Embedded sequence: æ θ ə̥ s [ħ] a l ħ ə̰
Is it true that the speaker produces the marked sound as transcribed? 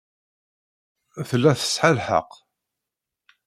yes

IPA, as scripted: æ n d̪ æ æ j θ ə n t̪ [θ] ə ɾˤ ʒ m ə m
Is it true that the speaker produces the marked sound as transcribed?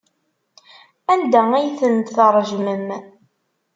yes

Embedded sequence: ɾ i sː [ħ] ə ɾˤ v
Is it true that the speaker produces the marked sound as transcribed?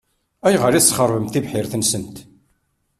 no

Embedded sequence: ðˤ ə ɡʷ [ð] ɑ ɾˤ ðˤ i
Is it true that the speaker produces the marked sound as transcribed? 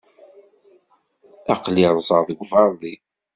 no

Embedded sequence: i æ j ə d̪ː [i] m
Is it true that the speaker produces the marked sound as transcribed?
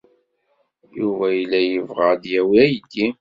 yes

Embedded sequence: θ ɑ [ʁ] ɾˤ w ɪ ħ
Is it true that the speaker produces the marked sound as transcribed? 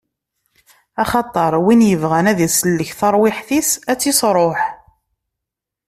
no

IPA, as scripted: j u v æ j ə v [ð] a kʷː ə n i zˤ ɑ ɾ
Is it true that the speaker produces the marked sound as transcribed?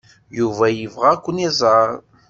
no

